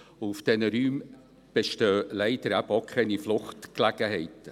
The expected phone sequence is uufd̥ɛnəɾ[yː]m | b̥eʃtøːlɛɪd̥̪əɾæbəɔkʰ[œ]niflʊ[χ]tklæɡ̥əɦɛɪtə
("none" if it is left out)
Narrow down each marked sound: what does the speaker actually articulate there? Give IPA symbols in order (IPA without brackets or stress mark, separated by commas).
yː, ɛ, χ